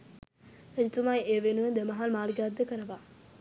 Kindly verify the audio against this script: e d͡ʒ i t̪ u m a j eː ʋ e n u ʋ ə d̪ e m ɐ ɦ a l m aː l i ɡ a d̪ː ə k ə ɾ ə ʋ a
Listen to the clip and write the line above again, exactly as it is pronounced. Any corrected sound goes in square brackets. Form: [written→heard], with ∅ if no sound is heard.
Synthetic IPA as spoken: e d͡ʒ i t̪ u m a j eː ʋ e n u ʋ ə d̪ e m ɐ ɦ a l m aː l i ɡ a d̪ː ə k ə ɾ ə ʋ a